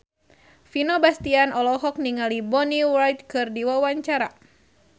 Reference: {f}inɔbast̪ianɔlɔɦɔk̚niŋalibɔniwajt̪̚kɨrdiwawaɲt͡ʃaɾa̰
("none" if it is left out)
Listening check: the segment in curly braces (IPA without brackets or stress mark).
f